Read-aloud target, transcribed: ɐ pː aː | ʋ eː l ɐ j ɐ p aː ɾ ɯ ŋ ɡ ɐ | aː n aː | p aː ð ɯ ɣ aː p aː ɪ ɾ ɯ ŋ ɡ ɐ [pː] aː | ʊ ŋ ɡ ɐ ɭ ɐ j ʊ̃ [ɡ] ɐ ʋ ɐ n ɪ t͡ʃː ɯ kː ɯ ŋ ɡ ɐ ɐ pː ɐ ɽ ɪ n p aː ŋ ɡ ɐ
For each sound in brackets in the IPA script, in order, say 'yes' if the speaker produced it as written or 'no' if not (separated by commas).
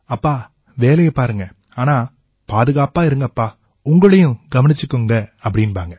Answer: yes, yes